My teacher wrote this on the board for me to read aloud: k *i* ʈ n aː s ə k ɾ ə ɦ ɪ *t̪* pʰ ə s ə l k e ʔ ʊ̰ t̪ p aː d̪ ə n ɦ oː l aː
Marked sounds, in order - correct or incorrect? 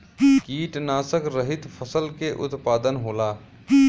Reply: incorrect: iː, correct

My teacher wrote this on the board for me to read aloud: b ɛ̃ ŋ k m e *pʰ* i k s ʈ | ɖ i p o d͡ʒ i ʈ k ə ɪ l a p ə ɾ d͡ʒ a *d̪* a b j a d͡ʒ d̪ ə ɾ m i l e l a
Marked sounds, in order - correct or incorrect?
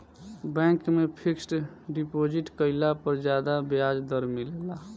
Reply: correct, correct

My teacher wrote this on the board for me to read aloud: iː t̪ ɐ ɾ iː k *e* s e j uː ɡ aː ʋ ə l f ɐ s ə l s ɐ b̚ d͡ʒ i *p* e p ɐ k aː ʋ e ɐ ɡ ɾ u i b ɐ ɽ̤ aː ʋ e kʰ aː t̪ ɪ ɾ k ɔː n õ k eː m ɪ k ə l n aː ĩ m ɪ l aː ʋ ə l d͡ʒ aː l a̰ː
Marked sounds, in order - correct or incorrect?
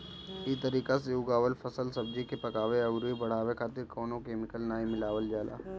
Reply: incorrect: a, incorrect: k

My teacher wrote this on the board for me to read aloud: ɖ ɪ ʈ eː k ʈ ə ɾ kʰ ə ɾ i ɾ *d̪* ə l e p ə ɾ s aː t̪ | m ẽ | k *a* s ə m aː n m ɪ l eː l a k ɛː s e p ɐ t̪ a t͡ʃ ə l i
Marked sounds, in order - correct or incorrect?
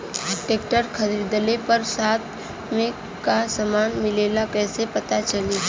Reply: correct, correct

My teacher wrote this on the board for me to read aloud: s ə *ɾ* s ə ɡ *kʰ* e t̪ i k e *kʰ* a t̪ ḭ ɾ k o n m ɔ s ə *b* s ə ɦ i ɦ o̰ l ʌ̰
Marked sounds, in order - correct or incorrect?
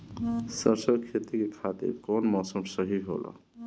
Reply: correct, correct, correct, incorrect: m

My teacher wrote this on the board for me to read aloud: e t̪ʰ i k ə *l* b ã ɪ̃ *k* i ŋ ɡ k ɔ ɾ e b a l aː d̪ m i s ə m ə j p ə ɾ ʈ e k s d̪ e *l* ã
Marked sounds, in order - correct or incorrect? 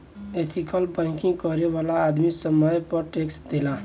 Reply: correct, correct, correct

